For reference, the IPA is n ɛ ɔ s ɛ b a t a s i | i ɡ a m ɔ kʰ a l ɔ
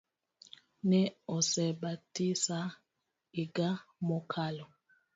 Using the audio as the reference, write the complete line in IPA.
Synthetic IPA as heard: n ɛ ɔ s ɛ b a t i s a | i ɡ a m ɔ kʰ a l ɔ